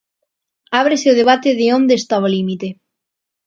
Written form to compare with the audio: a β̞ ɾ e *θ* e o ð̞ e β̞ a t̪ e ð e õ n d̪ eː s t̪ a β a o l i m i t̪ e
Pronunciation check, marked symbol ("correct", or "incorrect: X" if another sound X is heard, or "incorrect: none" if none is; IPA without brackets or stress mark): incorrect: s